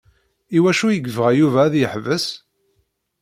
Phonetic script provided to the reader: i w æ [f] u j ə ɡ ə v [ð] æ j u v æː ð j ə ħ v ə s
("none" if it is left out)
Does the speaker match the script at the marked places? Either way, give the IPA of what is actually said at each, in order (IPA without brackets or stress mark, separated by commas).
ʃ, ʁ